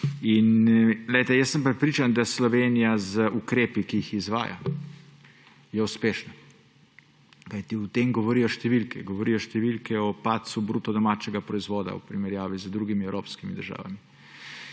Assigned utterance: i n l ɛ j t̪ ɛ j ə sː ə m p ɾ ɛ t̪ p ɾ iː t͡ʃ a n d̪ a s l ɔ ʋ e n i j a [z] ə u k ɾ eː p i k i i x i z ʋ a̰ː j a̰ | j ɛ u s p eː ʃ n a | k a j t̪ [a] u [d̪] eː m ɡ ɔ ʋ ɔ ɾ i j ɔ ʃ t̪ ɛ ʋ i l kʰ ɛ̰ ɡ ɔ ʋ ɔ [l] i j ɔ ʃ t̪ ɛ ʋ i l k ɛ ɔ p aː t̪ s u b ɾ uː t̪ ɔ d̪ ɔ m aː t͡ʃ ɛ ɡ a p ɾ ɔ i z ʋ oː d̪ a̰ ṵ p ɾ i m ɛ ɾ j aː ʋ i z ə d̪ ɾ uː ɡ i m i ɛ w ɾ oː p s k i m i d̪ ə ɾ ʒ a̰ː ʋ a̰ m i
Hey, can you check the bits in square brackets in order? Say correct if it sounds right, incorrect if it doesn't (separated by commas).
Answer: correct, incorrect, incorrect, incorrect